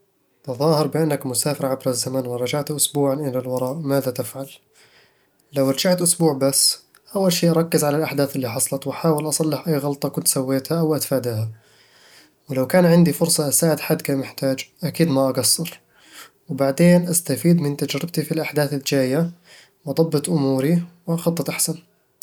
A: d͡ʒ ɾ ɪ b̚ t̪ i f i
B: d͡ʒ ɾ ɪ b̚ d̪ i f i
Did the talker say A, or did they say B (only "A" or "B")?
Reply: A